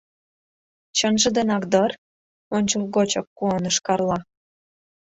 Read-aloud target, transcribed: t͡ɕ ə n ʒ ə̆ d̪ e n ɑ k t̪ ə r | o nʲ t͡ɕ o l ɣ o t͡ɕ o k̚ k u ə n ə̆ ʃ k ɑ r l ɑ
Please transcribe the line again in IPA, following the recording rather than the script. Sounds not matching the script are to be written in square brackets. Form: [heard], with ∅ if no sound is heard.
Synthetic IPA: t͡ɕ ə n ʒ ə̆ d̪ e n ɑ k [d̪] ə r | o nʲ t͡ɕ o l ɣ o t͡ɕ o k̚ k u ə n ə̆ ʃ k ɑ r l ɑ